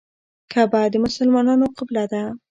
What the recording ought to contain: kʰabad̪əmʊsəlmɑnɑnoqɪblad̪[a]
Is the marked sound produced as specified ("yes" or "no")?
yes